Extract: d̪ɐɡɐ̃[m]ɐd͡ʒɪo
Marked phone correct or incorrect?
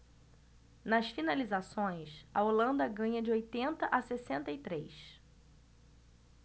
incorrect